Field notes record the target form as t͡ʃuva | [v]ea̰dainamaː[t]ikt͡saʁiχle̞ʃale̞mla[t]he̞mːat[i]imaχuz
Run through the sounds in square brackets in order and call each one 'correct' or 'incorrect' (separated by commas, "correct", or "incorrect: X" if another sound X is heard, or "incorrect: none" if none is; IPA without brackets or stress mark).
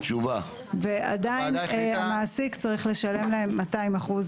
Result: correct, incorrect: s, incorrect: none, incorrect: a